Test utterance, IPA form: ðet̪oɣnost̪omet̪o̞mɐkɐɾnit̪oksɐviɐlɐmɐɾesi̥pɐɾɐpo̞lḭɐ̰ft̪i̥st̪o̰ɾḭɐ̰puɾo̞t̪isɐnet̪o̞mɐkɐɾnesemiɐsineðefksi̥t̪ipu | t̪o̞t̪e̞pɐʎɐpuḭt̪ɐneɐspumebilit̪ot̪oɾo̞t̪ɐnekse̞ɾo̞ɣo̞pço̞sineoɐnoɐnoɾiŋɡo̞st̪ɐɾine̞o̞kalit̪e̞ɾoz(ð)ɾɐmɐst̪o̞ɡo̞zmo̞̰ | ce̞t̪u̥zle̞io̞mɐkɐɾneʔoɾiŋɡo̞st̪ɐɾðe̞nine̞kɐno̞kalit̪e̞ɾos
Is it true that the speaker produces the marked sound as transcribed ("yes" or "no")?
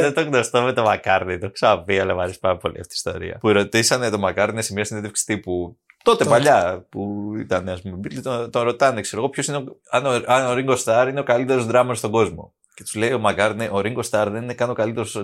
yes